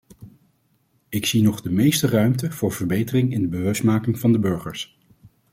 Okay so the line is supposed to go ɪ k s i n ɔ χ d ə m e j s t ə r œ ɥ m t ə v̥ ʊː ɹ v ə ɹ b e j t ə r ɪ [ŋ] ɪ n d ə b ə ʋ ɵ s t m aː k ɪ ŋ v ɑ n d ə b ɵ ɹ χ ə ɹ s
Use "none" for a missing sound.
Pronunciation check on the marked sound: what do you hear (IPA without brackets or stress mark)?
ŋ